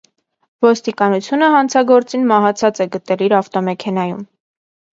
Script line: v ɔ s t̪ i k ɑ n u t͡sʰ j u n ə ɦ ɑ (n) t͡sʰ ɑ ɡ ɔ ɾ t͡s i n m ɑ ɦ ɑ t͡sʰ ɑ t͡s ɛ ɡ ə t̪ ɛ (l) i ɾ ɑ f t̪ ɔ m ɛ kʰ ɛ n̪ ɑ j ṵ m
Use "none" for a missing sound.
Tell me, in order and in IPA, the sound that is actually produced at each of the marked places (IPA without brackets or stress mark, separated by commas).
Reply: n, l